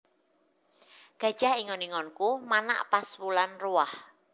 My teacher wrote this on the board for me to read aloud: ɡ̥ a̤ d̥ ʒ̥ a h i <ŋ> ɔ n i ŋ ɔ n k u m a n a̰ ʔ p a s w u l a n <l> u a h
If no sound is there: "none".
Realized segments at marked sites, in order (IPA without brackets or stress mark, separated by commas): ŋ, r